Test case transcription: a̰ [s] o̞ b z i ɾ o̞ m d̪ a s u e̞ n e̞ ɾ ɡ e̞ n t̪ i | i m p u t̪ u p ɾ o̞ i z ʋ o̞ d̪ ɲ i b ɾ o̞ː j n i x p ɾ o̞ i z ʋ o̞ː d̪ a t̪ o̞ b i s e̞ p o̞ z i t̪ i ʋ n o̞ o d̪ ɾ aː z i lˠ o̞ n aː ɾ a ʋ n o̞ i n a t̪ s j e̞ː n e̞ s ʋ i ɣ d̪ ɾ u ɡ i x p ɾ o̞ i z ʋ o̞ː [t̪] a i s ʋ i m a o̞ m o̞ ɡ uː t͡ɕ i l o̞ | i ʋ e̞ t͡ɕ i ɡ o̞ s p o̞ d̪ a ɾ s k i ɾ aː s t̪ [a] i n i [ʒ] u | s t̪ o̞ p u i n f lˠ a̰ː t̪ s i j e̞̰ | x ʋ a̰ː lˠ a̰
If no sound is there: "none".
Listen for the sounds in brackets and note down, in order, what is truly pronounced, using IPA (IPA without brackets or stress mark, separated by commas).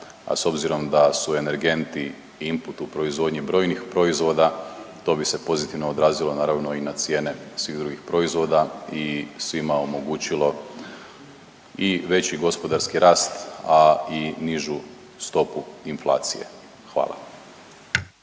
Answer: s, d̪, a, ʒ